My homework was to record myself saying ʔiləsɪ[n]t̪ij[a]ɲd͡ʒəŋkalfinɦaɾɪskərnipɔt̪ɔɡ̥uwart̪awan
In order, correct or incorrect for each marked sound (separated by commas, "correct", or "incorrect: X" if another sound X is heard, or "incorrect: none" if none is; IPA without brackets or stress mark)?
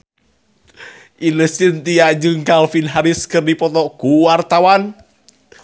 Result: correct, correct